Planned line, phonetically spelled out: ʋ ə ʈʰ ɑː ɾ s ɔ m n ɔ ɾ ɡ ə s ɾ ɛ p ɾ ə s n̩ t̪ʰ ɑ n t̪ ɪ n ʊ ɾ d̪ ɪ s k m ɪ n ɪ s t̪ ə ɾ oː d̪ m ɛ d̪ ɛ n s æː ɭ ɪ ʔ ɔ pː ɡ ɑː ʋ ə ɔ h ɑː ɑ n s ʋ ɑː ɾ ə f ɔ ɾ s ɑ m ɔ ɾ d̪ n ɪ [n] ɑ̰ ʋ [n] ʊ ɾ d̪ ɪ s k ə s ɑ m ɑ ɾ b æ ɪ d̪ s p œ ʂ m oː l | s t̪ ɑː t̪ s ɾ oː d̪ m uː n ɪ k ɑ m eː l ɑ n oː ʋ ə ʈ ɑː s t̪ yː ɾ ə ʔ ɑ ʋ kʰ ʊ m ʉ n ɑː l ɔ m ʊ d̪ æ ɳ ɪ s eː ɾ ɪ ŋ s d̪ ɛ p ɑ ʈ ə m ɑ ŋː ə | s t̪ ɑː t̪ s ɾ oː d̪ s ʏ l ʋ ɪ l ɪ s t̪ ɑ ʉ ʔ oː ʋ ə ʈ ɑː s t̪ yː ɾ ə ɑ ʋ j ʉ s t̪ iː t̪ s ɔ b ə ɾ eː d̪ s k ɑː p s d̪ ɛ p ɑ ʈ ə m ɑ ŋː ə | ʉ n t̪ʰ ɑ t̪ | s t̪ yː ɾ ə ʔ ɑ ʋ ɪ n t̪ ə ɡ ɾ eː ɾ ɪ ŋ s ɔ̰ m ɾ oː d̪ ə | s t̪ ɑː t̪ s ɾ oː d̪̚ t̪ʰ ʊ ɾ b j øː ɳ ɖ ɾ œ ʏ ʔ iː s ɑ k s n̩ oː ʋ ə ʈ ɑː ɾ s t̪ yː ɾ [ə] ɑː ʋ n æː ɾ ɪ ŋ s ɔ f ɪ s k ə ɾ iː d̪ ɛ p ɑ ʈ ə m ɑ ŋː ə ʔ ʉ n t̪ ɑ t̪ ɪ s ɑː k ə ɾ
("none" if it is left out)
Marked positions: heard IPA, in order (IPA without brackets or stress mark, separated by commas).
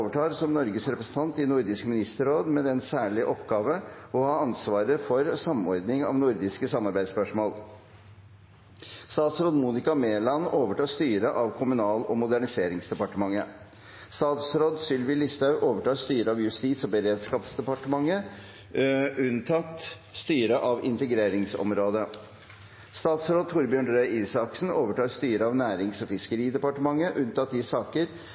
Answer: ŋ, n, ə